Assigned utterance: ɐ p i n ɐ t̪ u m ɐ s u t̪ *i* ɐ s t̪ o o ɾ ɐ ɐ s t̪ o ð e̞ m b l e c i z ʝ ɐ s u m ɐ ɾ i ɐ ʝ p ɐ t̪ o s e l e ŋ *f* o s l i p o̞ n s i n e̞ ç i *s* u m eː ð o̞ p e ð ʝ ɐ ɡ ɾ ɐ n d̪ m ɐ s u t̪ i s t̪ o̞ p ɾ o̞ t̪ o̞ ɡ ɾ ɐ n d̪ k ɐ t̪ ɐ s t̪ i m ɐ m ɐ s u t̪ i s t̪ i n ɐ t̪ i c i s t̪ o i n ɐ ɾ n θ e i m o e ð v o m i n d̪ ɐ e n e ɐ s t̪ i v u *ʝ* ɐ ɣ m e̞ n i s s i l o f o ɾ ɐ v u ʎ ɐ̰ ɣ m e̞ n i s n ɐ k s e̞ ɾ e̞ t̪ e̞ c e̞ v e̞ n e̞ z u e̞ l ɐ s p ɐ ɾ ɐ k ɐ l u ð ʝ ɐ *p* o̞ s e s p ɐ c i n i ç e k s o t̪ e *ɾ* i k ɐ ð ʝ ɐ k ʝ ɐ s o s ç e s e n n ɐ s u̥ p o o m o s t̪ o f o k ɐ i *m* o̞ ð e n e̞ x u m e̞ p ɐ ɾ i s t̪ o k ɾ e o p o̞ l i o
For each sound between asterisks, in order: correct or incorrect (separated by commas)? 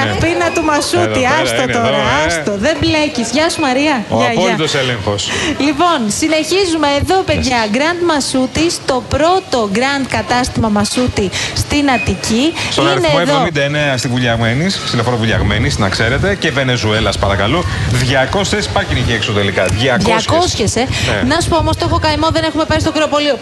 correct, incorrect, incorrect, incorrect, incorrect, incorrect, correct